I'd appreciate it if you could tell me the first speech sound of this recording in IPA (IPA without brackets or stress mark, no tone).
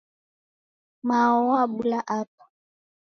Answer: m